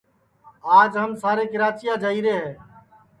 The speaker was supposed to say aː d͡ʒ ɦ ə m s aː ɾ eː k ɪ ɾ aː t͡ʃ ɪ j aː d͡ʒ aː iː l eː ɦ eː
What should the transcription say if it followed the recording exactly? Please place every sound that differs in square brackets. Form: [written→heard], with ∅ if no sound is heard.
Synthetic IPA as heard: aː d͡ʒ ɦ ə m s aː ɾ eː k ɪ ɾ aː t͡ʃ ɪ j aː d͡ʒ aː iː [l→ɾ] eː ɦ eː